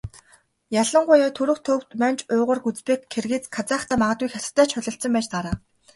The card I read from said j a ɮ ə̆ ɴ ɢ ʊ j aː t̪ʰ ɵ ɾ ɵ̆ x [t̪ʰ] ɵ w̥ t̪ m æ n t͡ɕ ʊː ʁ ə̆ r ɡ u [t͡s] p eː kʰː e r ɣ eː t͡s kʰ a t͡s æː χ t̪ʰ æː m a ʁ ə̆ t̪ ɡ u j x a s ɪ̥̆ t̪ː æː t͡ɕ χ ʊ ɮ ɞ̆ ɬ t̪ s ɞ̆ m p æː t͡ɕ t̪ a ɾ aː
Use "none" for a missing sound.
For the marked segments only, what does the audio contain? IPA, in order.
t̪ʰ, t͡s

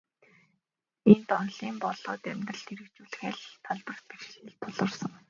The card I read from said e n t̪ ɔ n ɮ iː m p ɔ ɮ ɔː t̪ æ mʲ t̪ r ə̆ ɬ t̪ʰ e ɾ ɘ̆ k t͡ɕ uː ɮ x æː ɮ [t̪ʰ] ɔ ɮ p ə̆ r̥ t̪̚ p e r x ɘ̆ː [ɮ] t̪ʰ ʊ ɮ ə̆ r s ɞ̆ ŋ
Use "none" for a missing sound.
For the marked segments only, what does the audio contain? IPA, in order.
t̪ʰ, ɮ

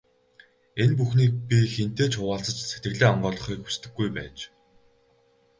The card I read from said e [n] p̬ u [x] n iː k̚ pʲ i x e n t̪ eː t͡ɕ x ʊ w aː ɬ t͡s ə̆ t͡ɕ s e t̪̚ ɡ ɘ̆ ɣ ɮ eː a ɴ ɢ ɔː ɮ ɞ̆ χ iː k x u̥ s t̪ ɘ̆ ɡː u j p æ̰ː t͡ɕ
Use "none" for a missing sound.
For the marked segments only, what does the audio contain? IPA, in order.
n, x

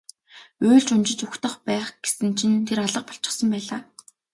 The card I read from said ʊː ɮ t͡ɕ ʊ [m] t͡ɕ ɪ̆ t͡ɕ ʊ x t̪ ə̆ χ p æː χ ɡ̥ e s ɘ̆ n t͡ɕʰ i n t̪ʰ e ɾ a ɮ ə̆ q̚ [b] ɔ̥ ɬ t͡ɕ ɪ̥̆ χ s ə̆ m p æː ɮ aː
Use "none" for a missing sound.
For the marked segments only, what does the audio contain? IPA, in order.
n, p

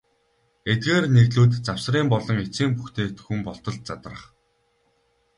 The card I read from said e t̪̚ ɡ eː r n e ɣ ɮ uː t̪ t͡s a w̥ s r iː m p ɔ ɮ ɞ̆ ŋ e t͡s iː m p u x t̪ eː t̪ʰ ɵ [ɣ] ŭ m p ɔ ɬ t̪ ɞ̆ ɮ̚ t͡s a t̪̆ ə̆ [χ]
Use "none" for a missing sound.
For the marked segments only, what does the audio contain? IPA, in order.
x, χ

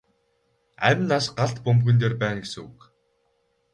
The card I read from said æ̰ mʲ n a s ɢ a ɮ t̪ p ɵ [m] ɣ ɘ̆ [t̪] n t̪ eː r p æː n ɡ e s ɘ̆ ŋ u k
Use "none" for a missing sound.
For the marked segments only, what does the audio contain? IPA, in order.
m, none

